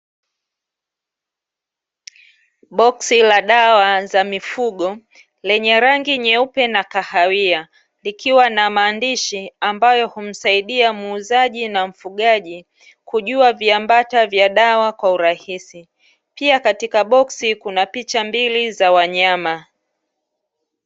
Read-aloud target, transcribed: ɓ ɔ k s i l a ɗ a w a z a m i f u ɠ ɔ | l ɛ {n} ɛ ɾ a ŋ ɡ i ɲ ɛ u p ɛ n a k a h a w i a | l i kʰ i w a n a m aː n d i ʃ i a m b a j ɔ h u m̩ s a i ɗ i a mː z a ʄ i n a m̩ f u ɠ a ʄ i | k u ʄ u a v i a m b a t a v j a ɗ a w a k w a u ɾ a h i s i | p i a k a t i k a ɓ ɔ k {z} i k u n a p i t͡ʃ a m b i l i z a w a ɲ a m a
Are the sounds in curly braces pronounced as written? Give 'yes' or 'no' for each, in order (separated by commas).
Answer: no, no